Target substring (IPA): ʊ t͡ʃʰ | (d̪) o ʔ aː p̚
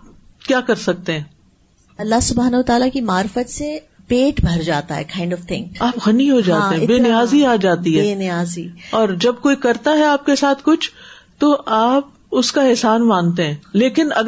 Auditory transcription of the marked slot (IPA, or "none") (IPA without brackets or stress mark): t̪